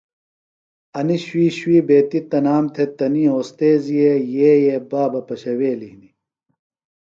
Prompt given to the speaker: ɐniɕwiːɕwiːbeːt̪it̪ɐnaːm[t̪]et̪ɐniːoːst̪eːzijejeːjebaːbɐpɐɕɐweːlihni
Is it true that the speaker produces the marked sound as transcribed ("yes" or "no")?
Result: no